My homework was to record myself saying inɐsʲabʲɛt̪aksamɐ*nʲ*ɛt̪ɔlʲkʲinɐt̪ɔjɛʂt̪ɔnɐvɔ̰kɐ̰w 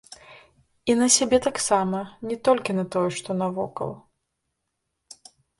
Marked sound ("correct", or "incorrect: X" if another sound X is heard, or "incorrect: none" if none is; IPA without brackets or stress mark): correct